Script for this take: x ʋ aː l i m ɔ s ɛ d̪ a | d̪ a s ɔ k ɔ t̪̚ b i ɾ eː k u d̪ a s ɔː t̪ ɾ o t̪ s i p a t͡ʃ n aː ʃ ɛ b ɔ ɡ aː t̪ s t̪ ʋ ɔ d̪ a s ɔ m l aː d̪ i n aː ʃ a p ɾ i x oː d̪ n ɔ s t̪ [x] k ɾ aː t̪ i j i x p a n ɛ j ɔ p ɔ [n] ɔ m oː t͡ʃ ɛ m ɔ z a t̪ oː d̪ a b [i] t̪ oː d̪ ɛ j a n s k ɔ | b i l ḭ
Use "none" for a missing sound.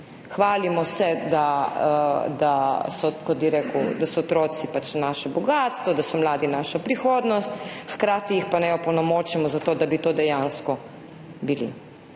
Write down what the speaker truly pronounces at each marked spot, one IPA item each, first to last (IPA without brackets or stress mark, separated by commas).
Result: x, n, i